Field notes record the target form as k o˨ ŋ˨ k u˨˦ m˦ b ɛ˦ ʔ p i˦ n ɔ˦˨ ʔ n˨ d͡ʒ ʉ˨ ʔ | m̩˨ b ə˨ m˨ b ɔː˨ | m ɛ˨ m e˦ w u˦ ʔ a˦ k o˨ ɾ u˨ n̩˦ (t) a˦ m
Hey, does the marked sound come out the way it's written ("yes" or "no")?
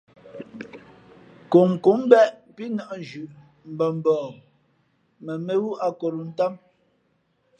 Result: yes